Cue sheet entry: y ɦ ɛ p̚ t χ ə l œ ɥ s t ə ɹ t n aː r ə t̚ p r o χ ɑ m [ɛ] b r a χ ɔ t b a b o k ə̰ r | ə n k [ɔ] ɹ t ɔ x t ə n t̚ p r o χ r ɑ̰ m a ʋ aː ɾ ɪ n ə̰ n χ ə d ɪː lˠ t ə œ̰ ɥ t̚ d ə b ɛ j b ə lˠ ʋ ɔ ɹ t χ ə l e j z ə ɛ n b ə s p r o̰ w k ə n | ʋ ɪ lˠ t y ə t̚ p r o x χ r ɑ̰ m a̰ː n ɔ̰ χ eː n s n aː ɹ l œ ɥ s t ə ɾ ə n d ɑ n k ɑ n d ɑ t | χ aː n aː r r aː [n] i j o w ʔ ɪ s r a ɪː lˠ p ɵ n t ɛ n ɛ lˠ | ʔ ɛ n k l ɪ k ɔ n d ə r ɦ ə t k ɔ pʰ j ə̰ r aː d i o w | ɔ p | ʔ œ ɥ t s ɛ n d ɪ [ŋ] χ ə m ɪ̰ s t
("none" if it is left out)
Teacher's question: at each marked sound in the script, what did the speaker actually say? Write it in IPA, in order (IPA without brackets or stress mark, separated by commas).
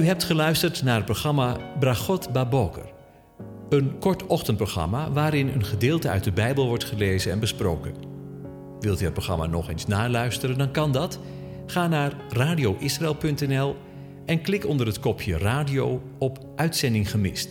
a, ɔ, d, ŋ